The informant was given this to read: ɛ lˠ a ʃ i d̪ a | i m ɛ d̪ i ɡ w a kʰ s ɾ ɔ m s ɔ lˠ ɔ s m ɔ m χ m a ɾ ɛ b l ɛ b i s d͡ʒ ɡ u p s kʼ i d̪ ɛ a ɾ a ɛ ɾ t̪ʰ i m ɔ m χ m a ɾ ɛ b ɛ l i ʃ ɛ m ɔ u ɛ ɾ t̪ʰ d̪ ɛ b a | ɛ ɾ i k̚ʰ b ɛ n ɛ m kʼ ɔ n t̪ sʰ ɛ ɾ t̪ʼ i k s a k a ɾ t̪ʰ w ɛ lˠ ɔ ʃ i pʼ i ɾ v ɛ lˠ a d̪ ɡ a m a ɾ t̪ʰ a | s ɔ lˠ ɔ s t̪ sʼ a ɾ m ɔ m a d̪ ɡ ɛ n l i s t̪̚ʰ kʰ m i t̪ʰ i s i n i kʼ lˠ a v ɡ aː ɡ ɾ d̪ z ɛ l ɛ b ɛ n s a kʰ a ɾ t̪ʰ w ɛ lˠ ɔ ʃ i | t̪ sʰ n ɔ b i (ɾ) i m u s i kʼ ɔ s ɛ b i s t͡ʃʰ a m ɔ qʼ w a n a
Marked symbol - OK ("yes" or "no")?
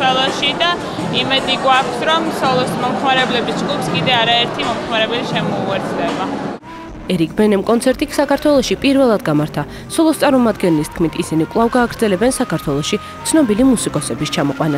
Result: no